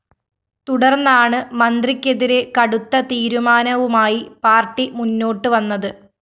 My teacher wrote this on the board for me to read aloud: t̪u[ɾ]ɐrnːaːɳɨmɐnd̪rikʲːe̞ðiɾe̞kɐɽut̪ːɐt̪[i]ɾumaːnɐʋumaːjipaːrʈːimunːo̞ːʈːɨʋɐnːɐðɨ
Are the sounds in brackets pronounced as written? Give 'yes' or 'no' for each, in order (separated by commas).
no, no